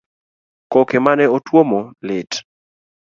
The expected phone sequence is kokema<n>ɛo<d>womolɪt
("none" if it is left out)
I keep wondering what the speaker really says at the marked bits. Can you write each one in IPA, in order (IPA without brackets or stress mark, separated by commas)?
n, t